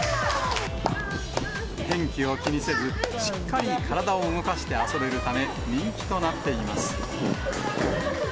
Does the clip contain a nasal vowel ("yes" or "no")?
yes